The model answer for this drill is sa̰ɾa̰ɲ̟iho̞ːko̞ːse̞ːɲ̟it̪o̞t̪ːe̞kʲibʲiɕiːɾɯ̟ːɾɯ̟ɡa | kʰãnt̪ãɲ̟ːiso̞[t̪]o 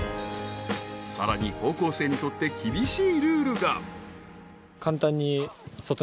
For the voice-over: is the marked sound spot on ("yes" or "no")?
yes